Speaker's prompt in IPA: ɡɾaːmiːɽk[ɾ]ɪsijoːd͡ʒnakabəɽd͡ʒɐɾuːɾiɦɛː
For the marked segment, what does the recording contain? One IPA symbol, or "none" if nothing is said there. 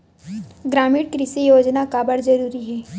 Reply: ɾ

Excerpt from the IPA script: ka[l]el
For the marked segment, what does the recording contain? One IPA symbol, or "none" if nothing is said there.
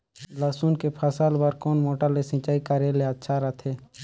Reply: ɾ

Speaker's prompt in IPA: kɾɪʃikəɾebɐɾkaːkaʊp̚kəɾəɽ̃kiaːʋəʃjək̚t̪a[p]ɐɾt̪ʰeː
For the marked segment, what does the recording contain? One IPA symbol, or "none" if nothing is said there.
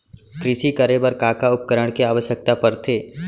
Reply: p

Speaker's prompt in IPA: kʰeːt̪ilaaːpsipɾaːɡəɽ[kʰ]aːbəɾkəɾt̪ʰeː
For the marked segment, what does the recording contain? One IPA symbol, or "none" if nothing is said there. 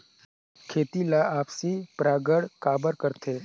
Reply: k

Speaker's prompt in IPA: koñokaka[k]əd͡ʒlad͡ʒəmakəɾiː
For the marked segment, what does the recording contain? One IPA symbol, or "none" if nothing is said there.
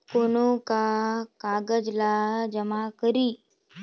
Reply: ɡ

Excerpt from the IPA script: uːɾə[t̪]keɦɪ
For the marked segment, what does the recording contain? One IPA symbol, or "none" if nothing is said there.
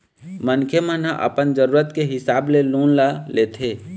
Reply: t̪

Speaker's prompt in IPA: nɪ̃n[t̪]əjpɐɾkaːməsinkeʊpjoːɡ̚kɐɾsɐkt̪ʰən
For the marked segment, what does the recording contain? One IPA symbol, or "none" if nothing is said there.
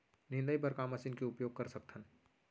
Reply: d̪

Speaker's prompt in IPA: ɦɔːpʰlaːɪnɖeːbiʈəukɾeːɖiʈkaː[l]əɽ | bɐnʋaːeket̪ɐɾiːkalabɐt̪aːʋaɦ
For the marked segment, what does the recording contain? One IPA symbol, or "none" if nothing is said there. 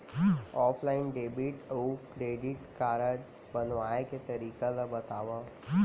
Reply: ɾ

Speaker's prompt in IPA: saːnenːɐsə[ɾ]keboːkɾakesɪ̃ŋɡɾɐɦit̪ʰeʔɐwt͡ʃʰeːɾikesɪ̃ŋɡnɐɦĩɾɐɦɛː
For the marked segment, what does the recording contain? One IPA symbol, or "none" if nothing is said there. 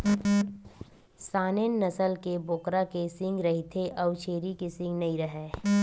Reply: l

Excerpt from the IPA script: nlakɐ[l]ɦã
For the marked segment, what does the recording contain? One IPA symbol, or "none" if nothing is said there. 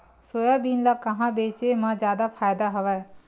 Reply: none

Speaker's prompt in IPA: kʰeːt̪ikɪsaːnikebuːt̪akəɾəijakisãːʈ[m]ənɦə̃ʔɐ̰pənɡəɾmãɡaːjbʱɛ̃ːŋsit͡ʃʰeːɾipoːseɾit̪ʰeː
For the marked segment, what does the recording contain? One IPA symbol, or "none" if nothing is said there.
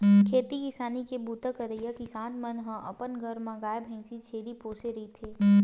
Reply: m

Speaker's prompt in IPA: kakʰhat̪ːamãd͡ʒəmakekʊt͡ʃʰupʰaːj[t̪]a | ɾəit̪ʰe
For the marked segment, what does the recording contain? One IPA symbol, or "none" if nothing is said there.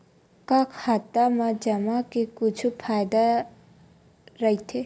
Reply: d̪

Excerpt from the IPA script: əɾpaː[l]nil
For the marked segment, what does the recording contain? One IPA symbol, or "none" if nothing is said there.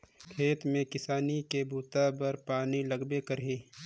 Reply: none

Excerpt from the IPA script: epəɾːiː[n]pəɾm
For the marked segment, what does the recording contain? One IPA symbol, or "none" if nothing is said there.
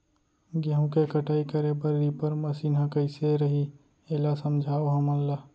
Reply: none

